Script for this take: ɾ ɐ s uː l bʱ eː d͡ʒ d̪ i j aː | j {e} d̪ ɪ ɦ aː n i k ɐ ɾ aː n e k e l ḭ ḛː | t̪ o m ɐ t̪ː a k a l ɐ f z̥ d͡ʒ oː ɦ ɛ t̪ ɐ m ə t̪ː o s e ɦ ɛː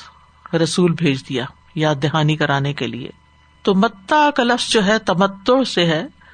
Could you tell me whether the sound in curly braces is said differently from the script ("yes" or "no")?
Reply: yes